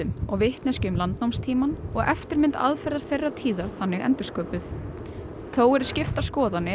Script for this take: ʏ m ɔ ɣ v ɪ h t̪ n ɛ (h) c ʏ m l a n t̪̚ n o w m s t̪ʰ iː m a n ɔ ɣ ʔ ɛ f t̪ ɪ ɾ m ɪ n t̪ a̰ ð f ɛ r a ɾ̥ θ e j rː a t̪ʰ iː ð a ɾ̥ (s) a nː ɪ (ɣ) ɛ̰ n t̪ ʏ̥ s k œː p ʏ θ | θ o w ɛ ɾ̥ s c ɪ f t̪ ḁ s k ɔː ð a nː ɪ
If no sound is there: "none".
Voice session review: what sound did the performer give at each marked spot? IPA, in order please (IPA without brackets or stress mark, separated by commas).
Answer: s, θ, ɣ